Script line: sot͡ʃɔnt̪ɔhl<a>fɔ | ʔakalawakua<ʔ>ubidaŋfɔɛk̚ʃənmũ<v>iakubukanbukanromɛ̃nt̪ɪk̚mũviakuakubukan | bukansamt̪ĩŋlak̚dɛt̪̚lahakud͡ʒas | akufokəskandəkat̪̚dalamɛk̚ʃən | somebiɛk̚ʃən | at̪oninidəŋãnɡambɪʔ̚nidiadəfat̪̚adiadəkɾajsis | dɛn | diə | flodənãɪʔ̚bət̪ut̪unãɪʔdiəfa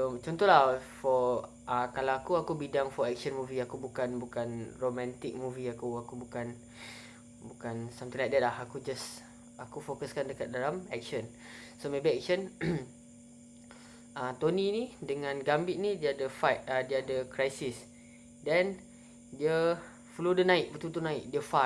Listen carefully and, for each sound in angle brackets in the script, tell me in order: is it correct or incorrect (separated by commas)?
correct, incorrect, correct